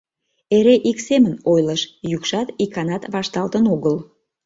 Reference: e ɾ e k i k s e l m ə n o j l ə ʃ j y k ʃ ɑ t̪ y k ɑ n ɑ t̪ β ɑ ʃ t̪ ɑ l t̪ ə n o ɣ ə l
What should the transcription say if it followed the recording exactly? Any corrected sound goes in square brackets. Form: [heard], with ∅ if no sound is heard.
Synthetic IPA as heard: e ɾ e [ʔ] i k s e [∅] m ə n o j l ə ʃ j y k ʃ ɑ t̪ [i] k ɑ n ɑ t̪ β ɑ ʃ t̪ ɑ l t̪ ə n o ɣ ə l